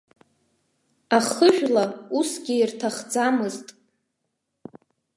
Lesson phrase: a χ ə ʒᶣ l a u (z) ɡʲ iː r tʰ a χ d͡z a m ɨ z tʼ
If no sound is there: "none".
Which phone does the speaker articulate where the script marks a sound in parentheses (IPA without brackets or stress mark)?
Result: s